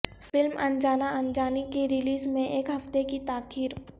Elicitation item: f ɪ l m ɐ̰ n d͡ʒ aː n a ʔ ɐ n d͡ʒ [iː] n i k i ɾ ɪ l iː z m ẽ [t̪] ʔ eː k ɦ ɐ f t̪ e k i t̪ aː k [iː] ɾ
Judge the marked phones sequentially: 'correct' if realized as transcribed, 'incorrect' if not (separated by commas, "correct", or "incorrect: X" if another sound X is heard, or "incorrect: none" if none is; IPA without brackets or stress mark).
incorrect: aː, incorrect: none, correct